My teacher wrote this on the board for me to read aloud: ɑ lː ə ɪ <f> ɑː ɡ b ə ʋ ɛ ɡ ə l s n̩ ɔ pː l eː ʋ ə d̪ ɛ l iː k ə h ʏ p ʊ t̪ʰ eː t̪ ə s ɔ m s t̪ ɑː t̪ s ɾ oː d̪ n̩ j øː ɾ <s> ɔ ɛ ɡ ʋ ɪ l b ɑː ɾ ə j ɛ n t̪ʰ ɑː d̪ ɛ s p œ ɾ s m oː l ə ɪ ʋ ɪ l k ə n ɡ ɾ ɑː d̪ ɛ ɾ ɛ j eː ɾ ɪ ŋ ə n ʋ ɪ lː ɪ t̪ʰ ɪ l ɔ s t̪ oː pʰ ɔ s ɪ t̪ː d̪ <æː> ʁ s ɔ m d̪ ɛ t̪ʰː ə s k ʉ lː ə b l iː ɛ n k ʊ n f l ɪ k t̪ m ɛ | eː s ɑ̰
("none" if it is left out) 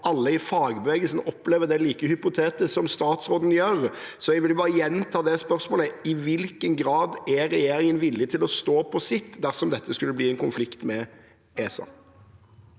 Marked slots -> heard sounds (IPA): f, s, æ

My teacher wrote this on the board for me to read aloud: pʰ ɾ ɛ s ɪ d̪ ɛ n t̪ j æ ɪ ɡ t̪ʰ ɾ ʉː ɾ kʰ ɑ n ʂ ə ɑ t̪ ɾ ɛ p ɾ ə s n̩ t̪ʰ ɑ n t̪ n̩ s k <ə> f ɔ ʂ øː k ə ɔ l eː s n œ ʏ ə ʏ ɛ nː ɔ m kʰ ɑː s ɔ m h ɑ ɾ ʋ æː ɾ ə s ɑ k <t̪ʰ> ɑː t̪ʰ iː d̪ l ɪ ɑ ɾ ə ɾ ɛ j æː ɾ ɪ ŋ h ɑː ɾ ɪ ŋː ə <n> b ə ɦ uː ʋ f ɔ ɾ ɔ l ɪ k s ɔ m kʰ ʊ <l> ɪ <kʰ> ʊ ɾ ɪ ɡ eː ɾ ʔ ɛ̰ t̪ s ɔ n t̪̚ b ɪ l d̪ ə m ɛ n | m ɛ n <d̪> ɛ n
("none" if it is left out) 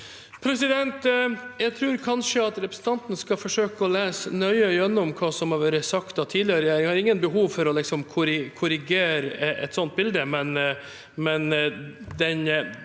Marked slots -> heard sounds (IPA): ɑ, t̪, n, ɾ, kʰ, d̪

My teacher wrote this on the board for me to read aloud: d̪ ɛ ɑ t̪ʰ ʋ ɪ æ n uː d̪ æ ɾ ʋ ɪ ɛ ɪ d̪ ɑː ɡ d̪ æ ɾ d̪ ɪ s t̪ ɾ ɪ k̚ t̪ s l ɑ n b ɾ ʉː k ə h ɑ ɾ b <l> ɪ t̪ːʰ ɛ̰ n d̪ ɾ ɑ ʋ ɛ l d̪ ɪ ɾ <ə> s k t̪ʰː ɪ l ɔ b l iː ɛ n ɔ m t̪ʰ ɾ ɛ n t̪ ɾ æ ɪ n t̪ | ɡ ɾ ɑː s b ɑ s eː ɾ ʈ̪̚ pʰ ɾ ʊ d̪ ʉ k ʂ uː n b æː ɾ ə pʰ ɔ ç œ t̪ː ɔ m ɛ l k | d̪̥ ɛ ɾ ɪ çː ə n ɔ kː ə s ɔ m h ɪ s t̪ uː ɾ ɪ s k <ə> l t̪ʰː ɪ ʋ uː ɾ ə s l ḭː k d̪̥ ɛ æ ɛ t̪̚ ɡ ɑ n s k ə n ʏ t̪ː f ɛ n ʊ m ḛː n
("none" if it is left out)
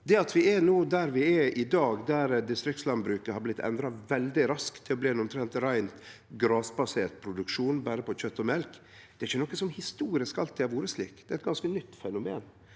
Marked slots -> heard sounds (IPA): l, ɑ, ɑ

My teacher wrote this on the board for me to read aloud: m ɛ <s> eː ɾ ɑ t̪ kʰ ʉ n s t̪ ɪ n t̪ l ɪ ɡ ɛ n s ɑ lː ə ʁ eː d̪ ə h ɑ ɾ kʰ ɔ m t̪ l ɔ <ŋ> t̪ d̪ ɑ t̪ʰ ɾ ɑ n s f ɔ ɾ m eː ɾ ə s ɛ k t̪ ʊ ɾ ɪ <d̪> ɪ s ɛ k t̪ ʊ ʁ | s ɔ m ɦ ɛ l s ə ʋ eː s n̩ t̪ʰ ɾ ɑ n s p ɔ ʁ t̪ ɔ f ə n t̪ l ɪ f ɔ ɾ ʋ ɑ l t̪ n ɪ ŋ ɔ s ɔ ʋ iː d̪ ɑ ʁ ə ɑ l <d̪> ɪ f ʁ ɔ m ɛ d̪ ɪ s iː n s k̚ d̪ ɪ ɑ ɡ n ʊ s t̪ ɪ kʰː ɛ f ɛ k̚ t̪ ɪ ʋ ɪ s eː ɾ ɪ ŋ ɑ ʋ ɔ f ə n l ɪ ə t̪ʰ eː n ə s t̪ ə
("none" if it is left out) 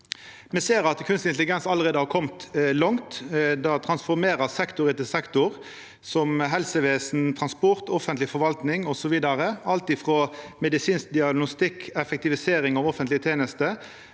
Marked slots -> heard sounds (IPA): s, ŋ, t̪, t̪

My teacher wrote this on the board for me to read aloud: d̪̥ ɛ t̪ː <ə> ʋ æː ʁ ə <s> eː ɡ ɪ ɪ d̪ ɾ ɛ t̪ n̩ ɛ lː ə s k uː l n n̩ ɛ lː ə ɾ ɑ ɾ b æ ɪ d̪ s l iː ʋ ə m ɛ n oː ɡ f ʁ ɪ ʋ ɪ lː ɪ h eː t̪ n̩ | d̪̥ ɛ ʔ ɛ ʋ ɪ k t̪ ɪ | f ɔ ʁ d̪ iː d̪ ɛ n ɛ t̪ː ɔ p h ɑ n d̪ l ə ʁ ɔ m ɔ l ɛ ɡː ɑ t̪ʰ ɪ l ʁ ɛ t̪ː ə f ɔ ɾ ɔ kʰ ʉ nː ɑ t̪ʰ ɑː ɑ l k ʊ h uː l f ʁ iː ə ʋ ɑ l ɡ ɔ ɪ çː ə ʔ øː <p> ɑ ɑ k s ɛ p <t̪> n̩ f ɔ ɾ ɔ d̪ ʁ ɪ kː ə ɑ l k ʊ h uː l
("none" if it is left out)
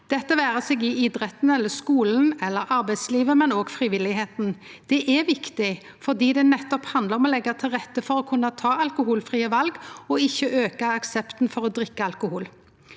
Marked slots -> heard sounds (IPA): ə, s, k, t̪

